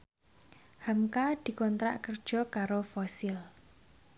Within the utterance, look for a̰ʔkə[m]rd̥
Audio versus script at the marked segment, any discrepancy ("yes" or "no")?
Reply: yes